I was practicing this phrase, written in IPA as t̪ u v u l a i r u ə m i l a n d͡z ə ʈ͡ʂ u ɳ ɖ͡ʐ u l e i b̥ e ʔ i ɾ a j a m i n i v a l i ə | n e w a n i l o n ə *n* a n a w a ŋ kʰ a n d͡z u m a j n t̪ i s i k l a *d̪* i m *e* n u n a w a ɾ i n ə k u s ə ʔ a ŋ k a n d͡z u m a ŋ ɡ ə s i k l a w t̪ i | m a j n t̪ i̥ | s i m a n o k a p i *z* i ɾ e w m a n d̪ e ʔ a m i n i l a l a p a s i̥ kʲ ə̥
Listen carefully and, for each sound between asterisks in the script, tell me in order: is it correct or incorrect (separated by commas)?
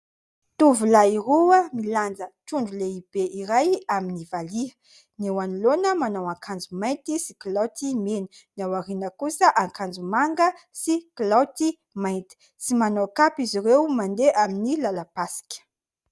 incorrect, incorrect, correct, correct